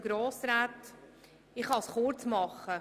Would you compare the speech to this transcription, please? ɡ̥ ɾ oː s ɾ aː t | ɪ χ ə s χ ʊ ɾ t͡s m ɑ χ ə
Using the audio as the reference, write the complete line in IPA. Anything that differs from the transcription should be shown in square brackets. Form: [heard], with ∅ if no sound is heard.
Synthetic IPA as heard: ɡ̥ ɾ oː s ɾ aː t | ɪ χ [ɑ] s χ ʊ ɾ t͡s m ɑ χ ə